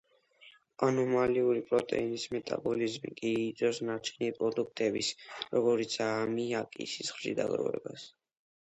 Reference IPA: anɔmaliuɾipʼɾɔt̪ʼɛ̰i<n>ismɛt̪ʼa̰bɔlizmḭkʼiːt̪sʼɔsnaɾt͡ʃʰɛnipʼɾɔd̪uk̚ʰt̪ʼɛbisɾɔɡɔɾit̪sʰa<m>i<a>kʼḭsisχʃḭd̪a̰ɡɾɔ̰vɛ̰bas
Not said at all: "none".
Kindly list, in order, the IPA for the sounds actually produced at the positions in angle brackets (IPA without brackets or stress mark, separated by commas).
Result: n, m, a